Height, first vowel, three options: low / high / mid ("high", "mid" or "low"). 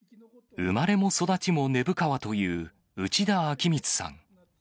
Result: high